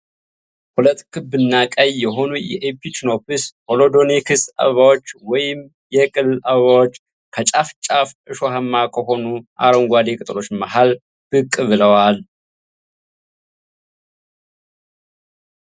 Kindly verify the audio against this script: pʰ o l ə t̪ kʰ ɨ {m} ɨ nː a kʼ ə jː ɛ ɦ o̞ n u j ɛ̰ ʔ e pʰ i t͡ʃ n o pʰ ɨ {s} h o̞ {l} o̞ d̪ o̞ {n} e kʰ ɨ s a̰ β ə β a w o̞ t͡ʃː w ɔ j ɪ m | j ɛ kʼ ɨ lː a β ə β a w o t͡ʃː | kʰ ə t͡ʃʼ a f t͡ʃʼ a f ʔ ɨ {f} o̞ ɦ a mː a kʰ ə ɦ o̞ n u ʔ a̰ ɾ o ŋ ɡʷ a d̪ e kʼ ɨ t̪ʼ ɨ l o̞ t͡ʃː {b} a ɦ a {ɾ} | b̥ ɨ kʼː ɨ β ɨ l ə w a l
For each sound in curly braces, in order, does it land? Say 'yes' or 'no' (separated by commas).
no, yes, yes, yes, no, no, no